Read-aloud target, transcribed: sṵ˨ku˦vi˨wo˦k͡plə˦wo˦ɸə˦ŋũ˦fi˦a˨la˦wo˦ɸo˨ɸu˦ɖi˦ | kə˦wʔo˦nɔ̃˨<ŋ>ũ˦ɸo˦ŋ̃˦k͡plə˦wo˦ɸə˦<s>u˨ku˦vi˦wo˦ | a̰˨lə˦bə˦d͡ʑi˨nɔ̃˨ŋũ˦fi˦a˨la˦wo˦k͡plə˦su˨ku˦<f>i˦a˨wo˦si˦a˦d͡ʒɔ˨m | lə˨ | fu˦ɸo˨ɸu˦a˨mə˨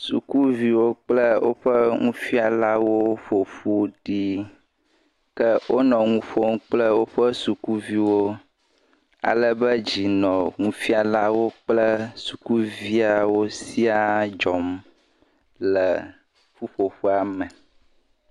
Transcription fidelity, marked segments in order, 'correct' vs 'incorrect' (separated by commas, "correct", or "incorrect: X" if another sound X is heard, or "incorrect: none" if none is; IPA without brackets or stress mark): correct, correct, incorrect: v